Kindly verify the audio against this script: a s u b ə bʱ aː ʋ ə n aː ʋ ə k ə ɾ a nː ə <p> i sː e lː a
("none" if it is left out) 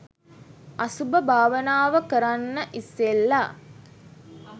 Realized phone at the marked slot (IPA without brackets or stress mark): ʔ